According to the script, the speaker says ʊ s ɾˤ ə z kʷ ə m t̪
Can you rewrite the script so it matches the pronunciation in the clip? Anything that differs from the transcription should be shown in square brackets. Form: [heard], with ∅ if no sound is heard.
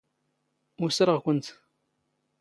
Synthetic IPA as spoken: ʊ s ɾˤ ə [ʁ] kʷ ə [n] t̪